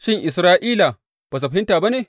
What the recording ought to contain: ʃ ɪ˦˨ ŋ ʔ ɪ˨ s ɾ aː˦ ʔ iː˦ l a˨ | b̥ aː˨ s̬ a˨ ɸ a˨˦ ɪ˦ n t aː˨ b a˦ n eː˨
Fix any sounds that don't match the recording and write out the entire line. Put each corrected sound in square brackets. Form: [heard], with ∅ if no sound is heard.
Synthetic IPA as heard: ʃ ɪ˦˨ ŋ ʔ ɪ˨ s ɾ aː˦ ʔ iː˦ l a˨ | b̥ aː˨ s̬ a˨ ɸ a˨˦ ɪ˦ n t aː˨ b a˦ n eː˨